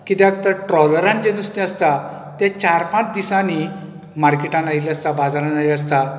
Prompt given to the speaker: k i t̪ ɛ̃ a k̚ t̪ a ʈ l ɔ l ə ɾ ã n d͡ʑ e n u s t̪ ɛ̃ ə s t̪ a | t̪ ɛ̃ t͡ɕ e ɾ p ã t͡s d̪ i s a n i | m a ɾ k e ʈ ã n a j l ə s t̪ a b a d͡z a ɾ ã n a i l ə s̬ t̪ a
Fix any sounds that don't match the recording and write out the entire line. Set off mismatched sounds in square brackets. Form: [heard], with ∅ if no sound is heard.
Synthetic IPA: k i t̪ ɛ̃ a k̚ t̪ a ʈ [ɾ] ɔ l ə ɾ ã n d͡ʑ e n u s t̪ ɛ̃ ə s t̪ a | t̪ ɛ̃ t͡ɕ [a] ɾ p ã t͡s d̪ i s a n i | m a ɾ k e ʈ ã n a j l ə s t̪ a b a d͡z a ɾ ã n a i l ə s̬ t̪ a